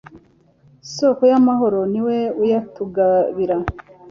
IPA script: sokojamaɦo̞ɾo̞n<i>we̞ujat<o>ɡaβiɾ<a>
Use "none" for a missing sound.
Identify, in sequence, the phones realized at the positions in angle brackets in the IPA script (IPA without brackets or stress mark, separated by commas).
i, u, a